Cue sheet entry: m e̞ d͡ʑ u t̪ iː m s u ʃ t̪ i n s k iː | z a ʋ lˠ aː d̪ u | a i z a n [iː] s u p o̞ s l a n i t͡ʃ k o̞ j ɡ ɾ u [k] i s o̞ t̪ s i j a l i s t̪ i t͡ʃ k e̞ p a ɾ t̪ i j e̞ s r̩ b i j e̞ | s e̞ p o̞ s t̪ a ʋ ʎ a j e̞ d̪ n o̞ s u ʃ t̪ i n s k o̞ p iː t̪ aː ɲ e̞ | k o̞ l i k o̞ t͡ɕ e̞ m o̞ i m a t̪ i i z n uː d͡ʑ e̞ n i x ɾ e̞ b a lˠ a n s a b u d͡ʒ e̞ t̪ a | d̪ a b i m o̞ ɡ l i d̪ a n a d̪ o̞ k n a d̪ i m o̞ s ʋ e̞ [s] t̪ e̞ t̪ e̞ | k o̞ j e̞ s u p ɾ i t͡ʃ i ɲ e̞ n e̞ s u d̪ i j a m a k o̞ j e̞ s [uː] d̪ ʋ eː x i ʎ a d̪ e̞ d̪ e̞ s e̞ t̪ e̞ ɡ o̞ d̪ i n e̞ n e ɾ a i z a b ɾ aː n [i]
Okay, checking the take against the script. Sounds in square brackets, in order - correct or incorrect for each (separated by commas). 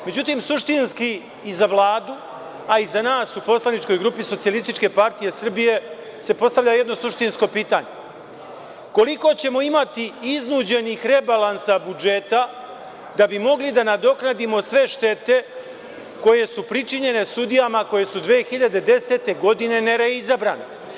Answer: incorrect, incorrect, incorrect, incorrect, incorrect